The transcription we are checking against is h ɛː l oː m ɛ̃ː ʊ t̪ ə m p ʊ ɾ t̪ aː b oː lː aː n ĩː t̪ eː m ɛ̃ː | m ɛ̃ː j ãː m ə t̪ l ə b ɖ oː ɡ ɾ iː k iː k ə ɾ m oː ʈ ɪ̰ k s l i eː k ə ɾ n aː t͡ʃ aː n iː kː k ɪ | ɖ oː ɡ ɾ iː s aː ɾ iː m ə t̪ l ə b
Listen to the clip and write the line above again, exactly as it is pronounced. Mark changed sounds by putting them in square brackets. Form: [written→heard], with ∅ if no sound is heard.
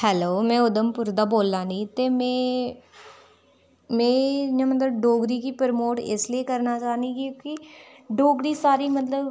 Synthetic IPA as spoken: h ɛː l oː m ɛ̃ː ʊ [t̪→d̪] ə m p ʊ ɾ [t̪→d̪] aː b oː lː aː n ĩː t̪ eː m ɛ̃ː | m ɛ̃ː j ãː m ə t̪ l ə b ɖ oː ɡ ɾ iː k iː [k→p] ə ɾ m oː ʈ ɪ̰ [k→∅] s l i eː k ə ɾ n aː t͡ʃ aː n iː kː k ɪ | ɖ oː ɡ ɾ iː s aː ɾ iː m ə t̪ l ə b